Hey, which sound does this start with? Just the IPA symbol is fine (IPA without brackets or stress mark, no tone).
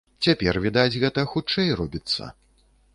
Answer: t͡sʲ